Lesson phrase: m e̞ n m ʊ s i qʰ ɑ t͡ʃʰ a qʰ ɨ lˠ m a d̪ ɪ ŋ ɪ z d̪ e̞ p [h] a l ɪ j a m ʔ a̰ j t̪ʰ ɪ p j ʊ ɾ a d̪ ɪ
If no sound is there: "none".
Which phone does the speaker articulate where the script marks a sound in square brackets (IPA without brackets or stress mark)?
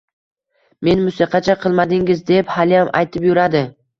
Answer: h